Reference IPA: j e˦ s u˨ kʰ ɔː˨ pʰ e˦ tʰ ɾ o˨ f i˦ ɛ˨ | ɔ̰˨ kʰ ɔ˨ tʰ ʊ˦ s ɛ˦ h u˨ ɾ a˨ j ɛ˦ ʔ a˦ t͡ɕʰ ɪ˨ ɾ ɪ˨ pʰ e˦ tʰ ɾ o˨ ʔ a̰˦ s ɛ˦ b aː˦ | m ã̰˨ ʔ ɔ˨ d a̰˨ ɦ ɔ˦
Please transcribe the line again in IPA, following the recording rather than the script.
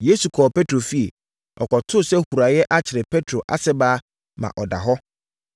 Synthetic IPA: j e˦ s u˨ kʰ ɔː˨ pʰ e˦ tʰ ɾ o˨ f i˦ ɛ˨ | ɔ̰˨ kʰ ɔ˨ tʰ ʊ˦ s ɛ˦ h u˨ ɾ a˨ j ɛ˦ ʔ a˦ t͡ɕʰ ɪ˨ ɾ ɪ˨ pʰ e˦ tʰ ɾ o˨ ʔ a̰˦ s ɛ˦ b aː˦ | m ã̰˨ ʔ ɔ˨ d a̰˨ ɦ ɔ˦